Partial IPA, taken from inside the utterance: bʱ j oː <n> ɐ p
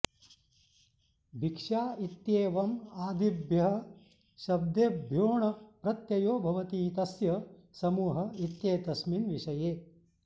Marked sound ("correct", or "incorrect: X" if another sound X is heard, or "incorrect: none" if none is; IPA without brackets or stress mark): incorrect: ɳ